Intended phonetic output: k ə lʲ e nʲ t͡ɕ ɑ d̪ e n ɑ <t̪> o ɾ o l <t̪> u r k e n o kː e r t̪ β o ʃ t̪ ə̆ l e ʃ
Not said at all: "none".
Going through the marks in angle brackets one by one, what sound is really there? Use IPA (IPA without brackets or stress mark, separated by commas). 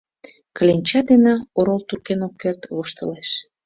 none, t̪